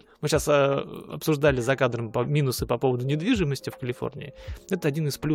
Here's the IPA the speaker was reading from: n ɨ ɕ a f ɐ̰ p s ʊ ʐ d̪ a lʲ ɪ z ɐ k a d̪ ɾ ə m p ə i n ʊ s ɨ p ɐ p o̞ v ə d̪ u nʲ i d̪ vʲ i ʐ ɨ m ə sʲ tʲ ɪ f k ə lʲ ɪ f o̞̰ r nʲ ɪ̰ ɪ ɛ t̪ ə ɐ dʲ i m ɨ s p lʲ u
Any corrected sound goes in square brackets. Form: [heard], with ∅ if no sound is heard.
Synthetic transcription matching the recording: [m] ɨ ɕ a [s] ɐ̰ p s ʊ ʐ d̪ a lʲ ɪ z ɐ k a d̪ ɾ ə m p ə i n ʊ s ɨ p ɐ p o̞ v ə d̪ [ʊ] nʲ [ɪ] d̪ vʲ i ʐ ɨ m ə sʲ tʲ ɪ f k ə lʲ ɪ f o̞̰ r nʲ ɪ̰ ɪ ɛ t̪ ə ɐ dʲ i [n] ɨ s p lʲ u